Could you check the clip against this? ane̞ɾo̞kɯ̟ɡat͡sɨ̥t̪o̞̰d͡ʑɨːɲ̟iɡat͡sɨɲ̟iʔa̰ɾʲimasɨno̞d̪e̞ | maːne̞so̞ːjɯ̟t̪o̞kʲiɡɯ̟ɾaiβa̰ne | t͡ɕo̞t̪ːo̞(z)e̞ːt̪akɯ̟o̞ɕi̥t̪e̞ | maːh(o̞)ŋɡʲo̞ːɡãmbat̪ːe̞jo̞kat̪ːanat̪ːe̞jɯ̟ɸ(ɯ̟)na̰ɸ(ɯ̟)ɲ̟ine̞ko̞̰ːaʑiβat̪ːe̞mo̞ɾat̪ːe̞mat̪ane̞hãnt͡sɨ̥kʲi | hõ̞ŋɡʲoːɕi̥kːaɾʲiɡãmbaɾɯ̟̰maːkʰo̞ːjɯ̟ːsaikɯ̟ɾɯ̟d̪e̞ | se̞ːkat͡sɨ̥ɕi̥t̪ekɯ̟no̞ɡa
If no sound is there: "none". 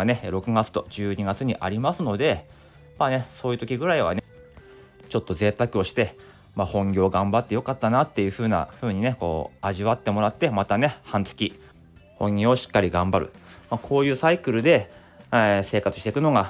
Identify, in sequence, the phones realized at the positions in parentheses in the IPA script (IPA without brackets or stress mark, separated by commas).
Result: z, õ̞, ɯ̟ː, ɯ̟ː